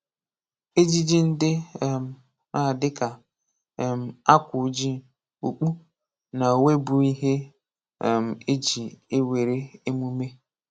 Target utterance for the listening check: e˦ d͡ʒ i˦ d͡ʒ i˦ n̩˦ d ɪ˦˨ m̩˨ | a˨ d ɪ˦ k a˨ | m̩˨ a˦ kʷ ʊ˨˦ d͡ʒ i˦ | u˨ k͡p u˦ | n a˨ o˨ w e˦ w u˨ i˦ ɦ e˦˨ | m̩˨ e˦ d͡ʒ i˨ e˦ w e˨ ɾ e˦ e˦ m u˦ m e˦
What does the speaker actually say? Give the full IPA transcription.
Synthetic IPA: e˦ d͡ʒ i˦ d͡ʒ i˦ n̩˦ d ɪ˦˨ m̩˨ | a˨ d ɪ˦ k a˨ | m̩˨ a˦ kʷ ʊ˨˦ d͡ʒ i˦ | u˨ k͡p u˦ | n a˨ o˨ w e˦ b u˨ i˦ ɦ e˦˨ | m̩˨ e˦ d͡ʒ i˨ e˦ w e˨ ɾ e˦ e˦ m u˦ m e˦